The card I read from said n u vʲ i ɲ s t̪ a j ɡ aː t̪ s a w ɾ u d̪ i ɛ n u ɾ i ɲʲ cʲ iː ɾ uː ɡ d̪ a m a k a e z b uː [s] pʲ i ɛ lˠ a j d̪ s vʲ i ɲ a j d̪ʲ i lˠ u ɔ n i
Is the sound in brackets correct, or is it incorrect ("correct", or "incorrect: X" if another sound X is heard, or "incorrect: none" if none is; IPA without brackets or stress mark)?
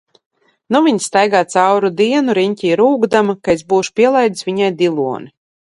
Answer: incorrect: ʃ